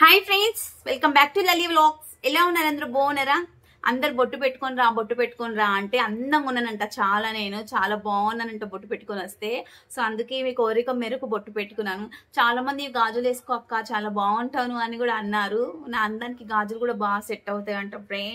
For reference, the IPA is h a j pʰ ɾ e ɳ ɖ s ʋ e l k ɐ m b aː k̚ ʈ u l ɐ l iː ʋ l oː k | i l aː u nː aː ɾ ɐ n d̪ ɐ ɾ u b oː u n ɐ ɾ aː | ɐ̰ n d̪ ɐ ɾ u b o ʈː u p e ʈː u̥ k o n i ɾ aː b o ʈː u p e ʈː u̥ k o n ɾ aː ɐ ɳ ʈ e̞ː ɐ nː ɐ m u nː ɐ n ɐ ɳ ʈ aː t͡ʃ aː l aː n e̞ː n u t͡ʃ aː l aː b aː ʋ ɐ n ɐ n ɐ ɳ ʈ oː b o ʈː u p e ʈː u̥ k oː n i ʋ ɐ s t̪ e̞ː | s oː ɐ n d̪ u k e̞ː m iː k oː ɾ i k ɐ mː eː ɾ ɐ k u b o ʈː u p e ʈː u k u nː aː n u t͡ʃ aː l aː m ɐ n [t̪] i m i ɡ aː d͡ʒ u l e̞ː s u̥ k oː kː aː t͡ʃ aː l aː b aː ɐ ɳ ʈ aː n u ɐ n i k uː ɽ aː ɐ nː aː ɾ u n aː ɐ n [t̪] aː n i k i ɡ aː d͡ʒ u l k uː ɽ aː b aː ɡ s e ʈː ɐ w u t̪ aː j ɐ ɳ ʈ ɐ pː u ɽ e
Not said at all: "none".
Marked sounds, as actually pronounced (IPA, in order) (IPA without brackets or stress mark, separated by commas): d̪, d̪